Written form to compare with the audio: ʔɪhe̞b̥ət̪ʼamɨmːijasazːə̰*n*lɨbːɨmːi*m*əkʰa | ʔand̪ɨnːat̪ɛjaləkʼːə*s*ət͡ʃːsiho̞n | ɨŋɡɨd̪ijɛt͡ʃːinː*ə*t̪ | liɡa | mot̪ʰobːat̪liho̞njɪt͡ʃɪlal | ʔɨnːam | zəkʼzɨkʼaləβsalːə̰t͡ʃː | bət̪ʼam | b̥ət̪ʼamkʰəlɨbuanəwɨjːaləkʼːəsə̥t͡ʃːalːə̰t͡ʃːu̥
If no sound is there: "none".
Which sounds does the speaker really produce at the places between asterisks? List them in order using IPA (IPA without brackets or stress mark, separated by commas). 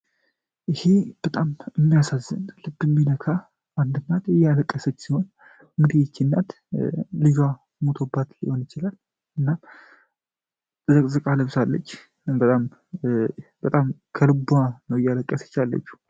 n, n, s, a